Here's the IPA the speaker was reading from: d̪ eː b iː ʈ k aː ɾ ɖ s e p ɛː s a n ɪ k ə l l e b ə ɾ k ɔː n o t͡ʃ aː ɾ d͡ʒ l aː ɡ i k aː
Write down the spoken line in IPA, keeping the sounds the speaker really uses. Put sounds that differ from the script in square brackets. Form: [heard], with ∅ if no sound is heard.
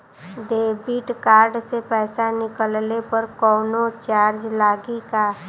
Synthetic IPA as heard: d̪ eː b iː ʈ k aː ɾ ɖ s e p ɛː s a n ɪ k ə l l e [p] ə ɾ k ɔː n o t͡ʃ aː ɾ d͡ʒ l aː ɡ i k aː